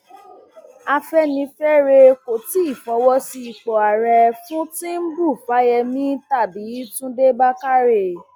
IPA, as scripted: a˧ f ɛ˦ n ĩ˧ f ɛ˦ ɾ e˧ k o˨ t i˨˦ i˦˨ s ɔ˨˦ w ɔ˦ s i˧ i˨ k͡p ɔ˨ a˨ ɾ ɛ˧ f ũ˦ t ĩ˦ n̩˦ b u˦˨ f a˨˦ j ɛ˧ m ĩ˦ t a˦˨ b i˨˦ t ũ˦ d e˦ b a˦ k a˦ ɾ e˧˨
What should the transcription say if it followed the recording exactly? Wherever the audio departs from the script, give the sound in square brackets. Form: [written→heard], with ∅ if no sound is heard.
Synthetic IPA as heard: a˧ f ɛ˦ n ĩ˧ f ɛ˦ ɾ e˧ k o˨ t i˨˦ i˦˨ [s→f] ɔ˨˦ w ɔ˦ s i˧ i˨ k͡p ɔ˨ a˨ ɾ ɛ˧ f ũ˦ t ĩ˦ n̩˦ b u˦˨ f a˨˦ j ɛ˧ m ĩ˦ t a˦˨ b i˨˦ t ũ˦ d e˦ b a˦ k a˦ ɾ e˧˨